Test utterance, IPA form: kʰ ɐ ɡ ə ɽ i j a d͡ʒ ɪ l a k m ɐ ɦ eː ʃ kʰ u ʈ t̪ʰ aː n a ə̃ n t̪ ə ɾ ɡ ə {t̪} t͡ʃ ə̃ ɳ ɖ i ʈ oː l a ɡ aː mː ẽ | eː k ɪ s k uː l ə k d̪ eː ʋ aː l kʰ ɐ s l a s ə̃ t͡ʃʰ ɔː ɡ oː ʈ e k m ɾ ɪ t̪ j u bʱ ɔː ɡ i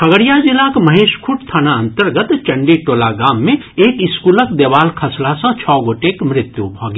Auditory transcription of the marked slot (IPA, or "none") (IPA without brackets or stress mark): t̪